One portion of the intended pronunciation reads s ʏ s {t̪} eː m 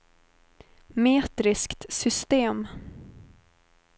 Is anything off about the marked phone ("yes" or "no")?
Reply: no